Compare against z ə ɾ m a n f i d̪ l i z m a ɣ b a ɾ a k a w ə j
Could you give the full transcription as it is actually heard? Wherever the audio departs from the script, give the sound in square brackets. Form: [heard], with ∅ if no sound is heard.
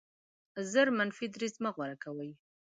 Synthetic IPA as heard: z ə ɾ m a n f i d̪ [ɾ] i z m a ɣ [w] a ɾ a k a w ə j